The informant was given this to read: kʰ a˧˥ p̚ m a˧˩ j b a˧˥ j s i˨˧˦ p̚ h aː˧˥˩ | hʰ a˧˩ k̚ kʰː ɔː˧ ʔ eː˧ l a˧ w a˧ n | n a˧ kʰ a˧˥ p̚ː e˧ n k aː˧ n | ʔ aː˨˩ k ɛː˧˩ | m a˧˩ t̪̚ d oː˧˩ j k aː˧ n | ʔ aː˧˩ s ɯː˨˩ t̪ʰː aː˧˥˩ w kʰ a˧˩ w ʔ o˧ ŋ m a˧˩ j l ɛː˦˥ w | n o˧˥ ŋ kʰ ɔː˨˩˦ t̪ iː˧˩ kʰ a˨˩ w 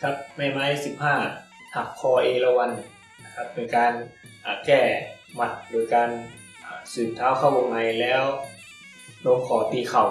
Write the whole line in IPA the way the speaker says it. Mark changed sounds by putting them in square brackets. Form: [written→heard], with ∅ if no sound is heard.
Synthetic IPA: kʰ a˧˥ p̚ m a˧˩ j [b→m] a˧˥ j s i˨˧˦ p̚ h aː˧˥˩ | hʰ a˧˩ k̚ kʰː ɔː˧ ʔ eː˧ l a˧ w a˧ n | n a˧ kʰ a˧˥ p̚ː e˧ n k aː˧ n | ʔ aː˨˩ k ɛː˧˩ | m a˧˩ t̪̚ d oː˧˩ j k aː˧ n | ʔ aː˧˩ s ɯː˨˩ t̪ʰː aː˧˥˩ w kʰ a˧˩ w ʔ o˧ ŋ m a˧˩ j l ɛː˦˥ w | n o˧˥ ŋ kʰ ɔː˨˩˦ t̪ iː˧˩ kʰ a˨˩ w